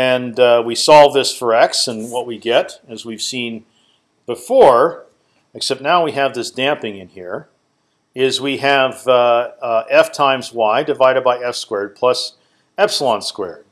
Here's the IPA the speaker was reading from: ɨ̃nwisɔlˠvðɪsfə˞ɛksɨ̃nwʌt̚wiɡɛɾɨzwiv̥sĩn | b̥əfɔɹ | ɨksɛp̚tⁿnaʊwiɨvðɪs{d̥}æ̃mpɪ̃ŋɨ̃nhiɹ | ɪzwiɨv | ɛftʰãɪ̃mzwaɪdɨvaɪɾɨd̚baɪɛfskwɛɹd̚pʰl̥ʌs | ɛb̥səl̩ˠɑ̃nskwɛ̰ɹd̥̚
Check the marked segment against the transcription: correct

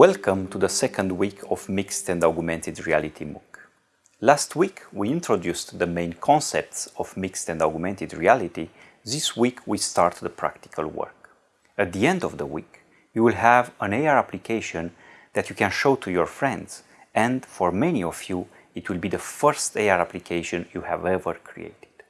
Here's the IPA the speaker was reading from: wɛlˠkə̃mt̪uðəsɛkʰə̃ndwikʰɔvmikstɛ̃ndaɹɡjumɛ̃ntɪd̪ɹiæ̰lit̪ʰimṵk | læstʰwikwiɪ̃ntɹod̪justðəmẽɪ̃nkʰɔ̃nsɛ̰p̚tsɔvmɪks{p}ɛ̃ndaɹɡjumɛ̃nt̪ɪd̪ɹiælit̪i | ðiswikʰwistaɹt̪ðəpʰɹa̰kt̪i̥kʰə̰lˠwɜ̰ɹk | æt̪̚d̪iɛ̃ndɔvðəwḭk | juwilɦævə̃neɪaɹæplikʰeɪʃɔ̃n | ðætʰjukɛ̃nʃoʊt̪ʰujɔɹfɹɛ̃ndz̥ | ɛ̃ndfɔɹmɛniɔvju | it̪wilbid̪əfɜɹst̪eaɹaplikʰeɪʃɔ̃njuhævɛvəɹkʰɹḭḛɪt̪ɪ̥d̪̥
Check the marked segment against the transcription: incorrect: t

